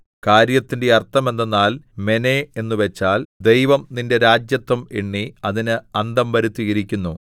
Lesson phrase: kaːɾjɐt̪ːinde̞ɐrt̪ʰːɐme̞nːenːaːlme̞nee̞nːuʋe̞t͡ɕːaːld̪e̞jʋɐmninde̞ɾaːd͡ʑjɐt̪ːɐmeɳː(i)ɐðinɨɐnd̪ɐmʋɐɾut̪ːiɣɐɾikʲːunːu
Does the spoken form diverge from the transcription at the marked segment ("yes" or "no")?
no